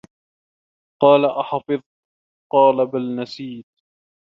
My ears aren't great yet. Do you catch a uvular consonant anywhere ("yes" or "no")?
yes